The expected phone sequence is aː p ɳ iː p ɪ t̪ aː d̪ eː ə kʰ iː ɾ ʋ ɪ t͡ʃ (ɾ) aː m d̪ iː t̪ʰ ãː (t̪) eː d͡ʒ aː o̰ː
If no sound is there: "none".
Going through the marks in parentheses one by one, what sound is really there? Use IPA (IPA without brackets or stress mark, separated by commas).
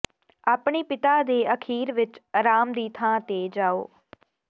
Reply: ɾ, t̪